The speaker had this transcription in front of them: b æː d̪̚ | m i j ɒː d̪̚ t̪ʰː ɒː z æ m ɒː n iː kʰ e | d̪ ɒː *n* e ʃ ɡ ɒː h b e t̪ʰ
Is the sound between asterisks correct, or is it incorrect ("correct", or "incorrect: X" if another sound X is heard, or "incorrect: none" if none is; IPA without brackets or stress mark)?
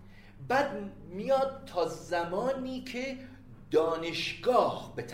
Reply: correct